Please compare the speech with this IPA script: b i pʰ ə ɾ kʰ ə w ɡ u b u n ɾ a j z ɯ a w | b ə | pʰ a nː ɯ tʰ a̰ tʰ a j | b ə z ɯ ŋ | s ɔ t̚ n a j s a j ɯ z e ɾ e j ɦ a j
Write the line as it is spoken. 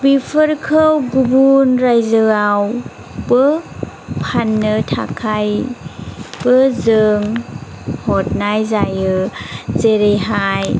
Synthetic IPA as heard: b i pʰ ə ɾ kʰ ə w ɡ u b u n ɾ a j z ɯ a w | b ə | pʰ a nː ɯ tʰ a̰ kʰ a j | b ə z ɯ ŋ | h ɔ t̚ n a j z a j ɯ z e ɾ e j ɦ a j